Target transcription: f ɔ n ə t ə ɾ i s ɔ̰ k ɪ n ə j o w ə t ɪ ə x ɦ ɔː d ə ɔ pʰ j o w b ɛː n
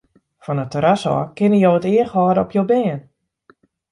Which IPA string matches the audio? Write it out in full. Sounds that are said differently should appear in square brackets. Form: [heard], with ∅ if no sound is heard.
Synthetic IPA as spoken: f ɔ n ə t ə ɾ [a] s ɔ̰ k ɪ n ə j o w ə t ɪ ə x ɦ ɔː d ə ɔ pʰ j o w b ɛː n